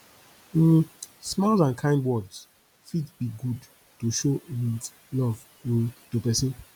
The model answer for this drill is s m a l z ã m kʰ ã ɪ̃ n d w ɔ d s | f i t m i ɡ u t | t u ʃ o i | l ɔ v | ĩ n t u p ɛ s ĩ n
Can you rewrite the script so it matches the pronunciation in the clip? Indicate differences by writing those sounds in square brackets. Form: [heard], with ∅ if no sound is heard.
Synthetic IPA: s m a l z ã [n] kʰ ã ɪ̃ n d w ɔ d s | f i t [b] i ɡ u [d] | t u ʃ o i | l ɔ v | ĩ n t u p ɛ s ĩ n

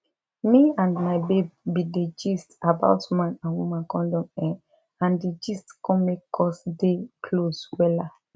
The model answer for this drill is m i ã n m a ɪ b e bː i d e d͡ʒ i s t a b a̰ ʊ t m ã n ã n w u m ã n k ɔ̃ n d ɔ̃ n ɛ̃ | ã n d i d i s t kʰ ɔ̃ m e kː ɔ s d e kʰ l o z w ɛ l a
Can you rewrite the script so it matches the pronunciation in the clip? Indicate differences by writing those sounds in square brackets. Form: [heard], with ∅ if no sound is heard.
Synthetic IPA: m i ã n m a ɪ b e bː i d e d͡ʒ i s t a b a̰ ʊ t m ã n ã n w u m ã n k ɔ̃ n d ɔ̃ [m] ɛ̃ | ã n d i [d͡ʒ] i s t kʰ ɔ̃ m e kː ɔ s d e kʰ l o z w ɛ l a

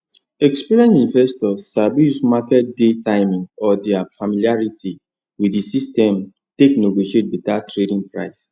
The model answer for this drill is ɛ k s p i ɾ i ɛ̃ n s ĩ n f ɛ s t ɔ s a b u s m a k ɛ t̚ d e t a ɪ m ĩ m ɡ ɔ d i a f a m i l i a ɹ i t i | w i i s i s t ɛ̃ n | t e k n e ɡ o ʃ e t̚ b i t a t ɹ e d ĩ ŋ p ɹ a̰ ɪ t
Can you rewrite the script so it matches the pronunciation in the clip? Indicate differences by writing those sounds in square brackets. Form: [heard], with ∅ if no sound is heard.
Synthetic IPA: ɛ k s p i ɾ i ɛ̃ n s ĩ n [v] ɛ s t ɔ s a b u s m a k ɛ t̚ d e t a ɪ m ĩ [ŋ] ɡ ɔ d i a f a m i l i a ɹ i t i | w i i s i s t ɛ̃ [m] | t e k n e ɡ o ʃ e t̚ b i t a t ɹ e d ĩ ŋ p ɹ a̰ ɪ [s]

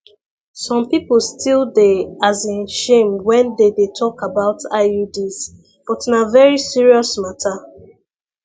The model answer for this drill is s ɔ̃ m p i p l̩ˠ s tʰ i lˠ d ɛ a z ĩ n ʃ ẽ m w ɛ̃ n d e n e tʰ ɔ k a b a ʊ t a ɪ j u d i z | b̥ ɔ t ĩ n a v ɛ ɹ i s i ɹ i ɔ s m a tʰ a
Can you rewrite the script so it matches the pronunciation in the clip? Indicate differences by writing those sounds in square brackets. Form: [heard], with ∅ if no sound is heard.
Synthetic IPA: s ɔ̃ m p i p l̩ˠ s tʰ i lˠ d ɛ a z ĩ n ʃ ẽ m w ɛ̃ n d e [d] e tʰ ɔ k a b a ʊ t a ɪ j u d i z | b̥ ɔ t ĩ n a v ɛ ɹ i s i ɹ i ɔ s m a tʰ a

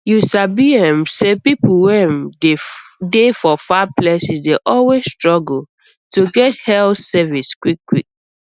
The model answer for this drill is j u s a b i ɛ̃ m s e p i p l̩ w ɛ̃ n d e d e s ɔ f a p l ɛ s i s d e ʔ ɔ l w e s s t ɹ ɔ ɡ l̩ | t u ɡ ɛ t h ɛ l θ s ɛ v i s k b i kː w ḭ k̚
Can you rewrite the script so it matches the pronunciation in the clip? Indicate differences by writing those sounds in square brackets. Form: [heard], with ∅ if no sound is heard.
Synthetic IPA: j u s a b i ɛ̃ m s e p i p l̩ w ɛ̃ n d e d e [f] ɔ f a p l ɛ s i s d e ʔ ɔ l w e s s t ɹ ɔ ɡ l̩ | t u ɡ ɛ t h ɛ l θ s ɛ v i s k [w] i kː w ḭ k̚

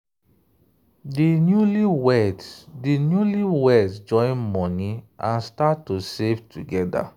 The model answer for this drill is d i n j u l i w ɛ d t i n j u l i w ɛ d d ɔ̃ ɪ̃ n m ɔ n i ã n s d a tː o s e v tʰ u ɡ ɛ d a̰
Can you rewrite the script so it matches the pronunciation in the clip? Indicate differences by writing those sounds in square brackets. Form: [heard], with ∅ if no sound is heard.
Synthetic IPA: d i n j u l i w ɛ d [d] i n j u l i w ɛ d [d͡ʒ] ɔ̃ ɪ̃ n m ɔ n i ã n s [t] a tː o s e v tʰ u ɡ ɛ d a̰

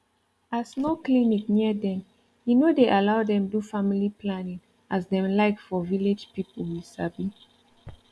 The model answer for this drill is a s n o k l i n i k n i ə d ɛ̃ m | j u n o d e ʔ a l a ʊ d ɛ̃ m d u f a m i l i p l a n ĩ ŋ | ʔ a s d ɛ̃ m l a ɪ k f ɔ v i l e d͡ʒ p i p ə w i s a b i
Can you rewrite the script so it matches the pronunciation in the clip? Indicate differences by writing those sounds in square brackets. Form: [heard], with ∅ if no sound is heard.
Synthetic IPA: a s n o k l i n i k n i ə d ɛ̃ m | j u n o d e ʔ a l a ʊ d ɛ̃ m d u f a m i l i p l a n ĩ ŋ | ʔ a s d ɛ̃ m l a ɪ k f ɔ v i l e d͡ʒ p i p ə w i s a b i

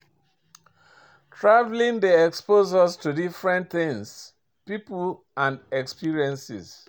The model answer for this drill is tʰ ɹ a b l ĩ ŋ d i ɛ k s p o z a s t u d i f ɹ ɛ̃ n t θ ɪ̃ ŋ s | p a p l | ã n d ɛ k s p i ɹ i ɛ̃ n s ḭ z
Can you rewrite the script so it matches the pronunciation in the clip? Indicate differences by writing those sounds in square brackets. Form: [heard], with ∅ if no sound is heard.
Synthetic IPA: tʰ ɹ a [v] l ĩ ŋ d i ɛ k s p o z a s t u d i f ɹ ɛ̃ n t θ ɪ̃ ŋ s | p [i] p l | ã n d ɛ k s p i ɹ i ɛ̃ n s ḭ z

